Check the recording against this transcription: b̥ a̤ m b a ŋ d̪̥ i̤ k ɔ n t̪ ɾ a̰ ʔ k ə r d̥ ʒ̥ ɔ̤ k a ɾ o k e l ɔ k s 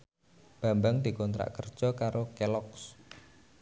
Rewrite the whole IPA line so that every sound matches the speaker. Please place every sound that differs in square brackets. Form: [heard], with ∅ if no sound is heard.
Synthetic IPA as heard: b̥ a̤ m b a ŋ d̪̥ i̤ k ɔ n t̪ ɾ a̰ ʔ k ə r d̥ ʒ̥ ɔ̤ k a ɾ o k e l ɔ k s